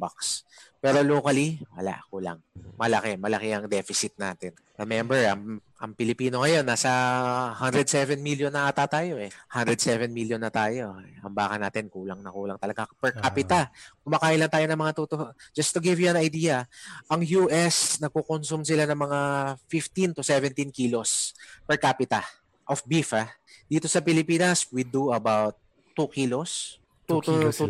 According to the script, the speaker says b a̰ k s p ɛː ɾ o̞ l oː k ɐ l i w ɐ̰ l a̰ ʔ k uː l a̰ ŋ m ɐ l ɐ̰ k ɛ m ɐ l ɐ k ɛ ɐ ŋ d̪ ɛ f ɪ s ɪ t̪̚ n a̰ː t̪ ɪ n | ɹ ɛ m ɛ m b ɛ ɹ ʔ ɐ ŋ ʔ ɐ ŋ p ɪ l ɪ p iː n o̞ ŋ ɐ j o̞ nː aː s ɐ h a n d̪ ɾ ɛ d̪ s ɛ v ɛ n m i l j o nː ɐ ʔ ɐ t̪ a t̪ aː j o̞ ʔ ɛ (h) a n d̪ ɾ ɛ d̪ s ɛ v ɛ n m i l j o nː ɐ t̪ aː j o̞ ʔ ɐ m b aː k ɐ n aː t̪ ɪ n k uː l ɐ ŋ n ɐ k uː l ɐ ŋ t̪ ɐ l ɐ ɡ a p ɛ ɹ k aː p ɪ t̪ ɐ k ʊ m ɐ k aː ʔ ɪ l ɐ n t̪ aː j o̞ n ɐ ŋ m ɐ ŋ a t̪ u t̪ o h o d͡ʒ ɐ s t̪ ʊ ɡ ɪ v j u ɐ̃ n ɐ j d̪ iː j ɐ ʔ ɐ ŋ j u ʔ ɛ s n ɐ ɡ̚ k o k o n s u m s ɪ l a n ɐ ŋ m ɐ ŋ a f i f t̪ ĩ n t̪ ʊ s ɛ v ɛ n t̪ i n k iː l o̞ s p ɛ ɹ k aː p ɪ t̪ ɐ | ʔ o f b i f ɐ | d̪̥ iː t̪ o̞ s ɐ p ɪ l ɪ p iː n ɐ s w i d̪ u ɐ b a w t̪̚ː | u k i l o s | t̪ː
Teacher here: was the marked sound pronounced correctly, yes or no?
yes